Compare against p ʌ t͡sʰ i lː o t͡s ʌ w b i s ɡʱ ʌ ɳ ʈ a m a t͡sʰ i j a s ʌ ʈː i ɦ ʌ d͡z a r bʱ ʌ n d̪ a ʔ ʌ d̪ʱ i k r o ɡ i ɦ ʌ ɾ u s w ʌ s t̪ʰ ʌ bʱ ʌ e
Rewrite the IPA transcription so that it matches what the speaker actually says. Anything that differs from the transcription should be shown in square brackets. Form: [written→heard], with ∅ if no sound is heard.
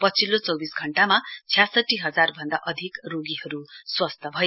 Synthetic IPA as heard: p ʌ t͡sʰ i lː o t͡s ʌ w b i s ɡʱ ʌ ɳ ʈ a m a t͡sʰ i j a s ʌ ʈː i ɦ ʌ d͡z a r bʱ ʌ n d̪ a ʔ ʌ d̪ʱ i k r o ɡ i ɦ ʌ ɾ u s w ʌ s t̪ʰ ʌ bʱ ʌ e

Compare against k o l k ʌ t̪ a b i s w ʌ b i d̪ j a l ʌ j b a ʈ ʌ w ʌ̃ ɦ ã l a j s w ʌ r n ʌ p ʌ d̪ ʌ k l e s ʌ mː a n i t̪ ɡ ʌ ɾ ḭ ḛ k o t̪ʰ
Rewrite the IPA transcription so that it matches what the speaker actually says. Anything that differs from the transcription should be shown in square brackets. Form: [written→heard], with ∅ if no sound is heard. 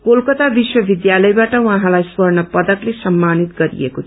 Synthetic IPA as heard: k o l k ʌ t̪ a b i s w ʌ b i d̪ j a l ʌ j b a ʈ ʌ w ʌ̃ ɦ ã l a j s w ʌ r n ʌ p ʌ d̪ ʌ k l e s ʌ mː a n i t̪ ɡ ʌ ɾ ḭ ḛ k o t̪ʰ

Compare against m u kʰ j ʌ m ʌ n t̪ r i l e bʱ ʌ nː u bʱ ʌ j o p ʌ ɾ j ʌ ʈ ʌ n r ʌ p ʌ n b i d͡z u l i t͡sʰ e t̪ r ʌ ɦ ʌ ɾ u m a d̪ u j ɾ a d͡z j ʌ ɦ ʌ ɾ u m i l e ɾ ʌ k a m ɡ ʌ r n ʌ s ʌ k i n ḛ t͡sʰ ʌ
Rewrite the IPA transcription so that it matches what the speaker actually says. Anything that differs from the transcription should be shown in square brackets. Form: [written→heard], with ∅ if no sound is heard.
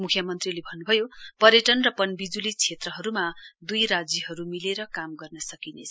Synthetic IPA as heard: m u kʰ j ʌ m ʌ n t̪ r i l e bʱ ʌ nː u bʱ ʌ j o p ʌ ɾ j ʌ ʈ ʌ n r ʌ p ʌ n b i d͡z u l i t͡sʰ e t̪ r ʌ ɦ ʌ ɾ u m a d̪ u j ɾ a d͡z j ʌ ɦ ʌ ɾ u m i l e ɾ ʌ k a m ɡ ʌ r n ʌ s ʌ k i n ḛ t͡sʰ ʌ

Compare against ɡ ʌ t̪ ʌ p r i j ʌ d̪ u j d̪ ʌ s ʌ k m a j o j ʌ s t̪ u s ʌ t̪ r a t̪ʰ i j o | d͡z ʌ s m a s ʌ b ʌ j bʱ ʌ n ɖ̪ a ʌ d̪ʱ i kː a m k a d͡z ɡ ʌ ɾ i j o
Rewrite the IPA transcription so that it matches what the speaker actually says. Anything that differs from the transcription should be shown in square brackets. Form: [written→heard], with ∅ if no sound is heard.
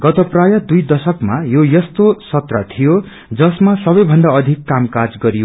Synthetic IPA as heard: ɡ ʌ t̪ ʌ p r [i→a] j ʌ d̪ u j d̪ ʌ s ʌ k m a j o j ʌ s t̪ [u→o] s ʌ t̪ r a t̪ʰ i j o | d͡z ʌ s m a s ʌ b ʌ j bʱ ʌ n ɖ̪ a ʌ d̪ʱ i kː a m k a d͡z ɡ ʌ ɾ i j o

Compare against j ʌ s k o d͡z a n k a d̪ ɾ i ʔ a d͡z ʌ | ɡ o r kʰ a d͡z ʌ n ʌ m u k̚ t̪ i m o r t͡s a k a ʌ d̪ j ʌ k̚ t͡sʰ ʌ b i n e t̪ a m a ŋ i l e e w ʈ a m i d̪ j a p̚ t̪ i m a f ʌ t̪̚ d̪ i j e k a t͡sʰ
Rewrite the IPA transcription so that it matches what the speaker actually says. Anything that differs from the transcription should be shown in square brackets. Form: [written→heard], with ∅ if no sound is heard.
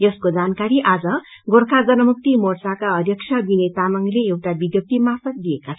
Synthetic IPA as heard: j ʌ s k o d͡z a n k a [d̪→∅] ɾ i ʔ a d͡z ʌ | ɡ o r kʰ a d͡z ʌ n ʌ m u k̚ t̪ i m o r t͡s a k a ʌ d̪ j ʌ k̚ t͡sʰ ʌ b i n e t̪ a m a ŋ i l e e w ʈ a [m→b] i d̪ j [a→ʌ] p̚ t̪ i m a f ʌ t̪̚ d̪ i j e k a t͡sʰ

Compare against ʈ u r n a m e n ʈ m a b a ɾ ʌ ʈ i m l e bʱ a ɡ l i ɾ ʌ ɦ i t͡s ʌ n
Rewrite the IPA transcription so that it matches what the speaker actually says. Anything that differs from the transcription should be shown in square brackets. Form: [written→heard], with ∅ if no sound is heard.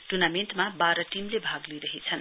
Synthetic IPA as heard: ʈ u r n a m e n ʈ m a b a ɾ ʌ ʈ i m l e bʱ a ɡ l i ɾ ʌ ɦ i [t͡s→t͡sʰ] ʌ n

